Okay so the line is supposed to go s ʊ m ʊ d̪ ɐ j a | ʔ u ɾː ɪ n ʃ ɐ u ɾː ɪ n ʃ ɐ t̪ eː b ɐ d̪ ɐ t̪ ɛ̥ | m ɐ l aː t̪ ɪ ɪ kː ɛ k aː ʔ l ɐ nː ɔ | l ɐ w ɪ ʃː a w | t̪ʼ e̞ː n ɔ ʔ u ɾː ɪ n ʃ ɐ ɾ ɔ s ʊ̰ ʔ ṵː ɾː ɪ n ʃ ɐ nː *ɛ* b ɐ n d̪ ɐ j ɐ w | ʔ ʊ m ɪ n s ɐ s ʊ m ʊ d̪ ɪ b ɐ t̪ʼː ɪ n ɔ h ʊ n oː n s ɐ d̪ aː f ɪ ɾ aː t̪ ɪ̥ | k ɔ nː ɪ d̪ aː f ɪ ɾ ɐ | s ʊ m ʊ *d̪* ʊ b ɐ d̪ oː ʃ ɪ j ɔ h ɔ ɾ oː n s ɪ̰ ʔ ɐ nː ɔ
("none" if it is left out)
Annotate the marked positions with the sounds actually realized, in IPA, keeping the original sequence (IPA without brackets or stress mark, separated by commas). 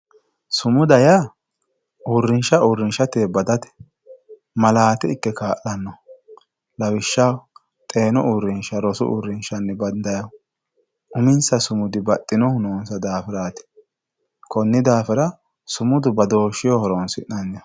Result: ɛ, d̪